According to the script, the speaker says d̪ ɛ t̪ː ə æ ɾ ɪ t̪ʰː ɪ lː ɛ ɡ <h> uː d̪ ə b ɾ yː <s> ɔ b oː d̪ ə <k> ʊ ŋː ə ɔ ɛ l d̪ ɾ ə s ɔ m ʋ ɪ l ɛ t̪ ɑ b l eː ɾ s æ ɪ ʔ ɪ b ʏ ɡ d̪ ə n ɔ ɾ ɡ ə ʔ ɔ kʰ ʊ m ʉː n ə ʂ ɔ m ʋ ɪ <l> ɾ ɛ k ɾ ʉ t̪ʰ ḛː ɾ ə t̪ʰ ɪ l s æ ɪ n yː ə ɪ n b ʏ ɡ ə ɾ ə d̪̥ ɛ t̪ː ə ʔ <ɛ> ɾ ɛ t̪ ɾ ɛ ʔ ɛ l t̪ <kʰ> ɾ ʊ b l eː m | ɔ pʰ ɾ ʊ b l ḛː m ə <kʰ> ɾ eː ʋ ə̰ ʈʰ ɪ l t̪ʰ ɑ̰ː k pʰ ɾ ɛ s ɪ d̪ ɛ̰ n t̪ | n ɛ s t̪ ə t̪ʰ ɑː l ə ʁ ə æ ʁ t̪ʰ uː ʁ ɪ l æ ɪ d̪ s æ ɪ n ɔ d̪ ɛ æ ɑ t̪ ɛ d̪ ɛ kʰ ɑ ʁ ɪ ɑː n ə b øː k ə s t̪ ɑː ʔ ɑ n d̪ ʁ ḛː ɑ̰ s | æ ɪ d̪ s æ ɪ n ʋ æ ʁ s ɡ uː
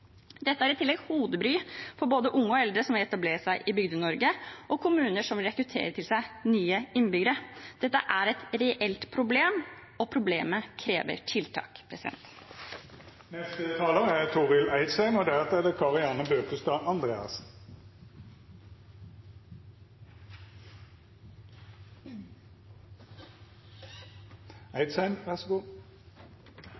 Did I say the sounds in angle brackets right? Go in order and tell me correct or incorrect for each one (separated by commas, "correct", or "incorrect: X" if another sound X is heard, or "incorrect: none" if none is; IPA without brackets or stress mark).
correct, incorrect: f, incorrect: ʔ, correct, incorrect: æ, incorrect: pʰ, correct